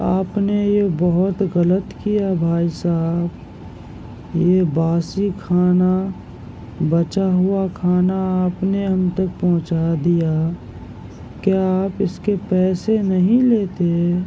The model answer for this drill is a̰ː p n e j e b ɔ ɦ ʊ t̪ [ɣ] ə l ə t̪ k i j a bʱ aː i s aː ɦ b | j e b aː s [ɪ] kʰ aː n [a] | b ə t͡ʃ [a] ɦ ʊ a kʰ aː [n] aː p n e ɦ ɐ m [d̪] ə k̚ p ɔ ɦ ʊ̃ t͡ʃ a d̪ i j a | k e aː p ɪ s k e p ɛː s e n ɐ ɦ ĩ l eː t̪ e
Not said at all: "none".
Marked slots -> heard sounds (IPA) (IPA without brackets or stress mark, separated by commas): ɣ, i, a, a, n, t̪